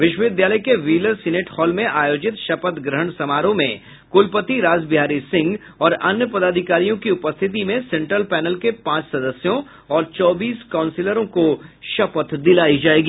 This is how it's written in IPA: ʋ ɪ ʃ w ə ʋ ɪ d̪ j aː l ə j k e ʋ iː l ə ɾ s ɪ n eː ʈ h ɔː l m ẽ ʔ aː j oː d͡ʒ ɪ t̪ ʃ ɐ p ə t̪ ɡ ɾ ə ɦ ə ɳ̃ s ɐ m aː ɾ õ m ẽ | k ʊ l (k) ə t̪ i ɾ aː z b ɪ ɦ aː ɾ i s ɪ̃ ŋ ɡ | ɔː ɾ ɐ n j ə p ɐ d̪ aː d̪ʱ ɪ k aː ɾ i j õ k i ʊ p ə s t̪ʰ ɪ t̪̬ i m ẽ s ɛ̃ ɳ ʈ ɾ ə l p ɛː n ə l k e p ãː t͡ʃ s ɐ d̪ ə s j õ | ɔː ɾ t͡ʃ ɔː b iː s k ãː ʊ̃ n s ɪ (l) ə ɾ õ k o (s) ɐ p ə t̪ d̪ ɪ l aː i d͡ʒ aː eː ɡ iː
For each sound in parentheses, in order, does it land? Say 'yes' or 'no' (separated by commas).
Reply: no, yes, no